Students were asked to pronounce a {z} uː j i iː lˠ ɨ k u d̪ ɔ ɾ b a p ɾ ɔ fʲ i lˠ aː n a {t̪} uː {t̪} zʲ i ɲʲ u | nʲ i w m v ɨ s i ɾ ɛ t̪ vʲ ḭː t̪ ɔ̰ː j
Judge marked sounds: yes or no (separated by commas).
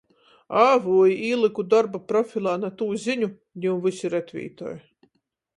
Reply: no, yes, no